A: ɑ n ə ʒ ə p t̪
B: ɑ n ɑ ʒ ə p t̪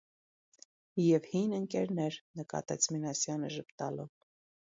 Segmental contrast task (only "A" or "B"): A